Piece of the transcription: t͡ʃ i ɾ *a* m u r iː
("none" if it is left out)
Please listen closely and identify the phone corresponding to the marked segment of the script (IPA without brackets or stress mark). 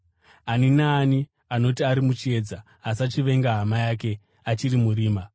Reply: i